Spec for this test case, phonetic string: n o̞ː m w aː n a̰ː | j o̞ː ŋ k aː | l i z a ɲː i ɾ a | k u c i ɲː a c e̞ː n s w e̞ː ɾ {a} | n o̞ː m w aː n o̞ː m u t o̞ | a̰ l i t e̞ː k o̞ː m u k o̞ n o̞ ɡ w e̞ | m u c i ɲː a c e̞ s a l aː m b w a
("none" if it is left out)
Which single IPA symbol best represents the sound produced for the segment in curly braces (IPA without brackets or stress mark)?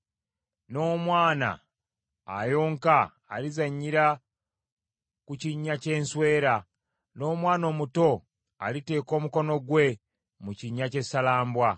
a